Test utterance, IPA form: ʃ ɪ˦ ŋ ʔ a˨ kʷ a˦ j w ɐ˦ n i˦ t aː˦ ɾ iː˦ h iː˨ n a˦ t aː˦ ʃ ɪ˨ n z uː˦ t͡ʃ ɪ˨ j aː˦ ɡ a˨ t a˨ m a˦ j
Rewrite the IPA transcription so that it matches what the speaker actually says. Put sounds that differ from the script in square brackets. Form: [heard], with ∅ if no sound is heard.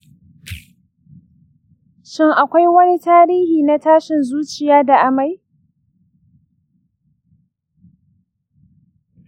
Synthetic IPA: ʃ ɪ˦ ŋ ʔ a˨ kʷ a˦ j w ɐ˦ n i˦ t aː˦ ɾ iː˦ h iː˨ n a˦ t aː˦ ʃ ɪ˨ n z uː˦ t͡ʃ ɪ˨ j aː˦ [d] a˨ [ʔ] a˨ m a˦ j